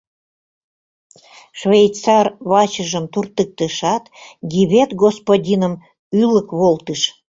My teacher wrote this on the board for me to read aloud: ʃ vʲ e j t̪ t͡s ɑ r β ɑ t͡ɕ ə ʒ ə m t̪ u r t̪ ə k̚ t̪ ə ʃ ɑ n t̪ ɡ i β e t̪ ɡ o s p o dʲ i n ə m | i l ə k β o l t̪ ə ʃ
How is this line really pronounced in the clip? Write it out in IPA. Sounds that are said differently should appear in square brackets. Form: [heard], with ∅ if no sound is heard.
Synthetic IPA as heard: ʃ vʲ e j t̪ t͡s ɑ r β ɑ t͡ɕ ə ʒ ə m t̪ u r t̪ ə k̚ t̪ ə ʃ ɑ [∅] t̪ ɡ i β e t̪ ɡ o s p o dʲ i n ə m | [y] l ə k β o l t̪ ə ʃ

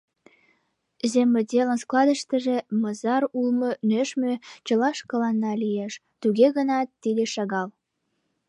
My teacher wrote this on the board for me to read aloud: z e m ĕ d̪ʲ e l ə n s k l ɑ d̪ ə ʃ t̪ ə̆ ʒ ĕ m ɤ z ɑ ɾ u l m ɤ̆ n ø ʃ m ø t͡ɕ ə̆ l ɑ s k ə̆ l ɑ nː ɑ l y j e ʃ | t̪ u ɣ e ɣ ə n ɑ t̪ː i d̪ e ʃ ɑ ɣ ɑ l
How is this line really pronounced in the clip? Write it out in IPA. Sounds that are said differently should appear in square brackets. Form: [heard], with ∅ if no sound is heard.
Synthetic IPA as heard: z e m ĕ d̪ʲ e l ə n s k l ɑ d̪ ə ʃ t̪ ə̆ ʒ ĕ m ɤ z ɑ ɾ u l m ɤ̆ n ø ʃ m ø t͡ɕ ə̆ l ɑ [ʃ] k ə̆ l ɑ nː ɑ l [i] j e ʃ | t̪ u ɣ e ɣ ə n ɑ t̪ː i d̪ e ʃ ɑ ɣ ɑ l

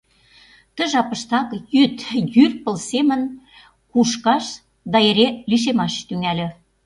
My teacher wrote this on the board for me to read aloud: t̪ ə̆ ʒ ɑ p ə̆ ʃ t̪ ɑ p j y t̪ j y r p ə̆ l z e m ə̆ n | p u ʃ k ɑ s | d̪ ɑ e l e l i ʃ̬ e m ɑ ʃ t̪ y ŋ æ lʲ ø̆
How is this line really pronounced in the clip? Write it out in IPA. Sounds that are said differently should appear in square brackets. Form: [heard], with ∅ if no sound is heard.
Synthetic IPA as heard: t̪ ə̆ ʒ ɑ p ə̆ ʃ t̪ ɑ [k] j y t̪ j y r p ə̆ l [s] e m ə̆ n | [k] u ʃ k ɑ [ʃ] | d̪ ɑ e [ɾ] e l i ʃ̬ e m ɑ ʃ t̪ y ŋ æ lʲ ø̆

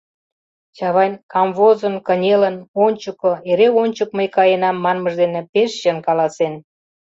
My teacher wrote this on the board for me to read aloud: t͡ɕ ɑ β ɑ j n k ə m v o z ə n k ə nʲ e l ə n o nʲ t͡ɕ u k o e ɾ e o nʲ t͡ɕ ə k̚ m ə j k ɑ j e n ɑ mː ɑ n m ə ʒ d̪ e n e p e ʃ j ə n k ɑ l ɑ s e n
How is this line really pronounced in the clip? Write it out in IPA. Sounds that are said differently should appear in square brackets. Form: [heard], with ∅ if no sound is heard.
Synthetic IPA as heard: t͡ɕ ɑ β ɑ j n k [ɑ] m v o z ə n k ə nʲ e l ə n o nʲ t͡ɕ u k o e ɾ e o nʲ t͡ɕ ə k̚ m ə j k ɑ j e n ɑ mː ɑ n m ə ʒ d̪ e n e p e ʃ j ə n k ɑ l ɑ s e n

